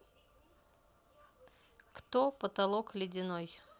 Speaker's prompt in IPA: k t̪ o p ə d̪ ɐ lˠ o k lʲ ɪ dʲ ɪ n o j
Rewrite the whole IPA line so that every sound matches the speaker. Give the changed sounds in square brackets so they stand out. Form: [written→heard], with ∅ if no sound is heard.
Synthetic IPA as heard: k t̪ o p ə [d̪→t̪] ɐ lˠ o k lʲ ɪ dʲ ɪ n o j